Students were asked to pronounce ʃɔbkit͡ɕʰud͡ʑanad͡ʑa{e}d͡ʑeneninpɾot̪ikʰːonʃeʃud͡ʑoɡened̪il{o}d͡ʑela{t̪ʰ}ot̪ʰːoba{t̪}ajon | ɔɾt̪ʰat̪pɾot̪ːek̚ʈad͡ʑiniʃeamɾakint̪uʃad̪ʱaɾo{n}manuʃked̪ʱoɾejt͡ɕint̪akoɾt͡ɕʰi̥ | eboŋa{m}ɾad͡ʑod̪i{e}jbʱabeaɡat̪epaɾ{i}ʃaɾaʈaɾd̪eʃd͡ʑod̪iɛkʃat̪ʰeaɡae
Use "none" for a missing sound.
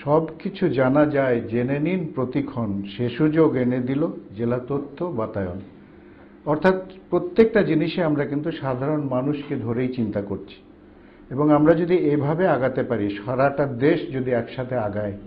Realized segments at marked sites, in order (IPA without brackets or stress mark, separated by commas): e, o, t̪, t̪, n, m, e, i